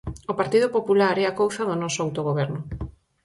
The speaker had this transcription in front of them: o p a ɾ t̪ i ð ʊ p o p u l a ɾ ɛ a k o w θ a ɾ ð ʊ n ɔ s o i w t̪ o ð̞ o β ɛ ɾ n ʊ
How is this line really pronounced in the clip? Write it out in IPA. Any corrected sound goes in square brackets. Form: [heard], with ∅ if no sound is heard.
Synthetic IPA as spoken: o p a ɾ t̪ i ð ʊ p o p u l a ɾ ɛ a k o w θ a [∅] ð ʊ n ɔ s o [a] w t̪ o [ɣ̞] o β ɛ ɾ n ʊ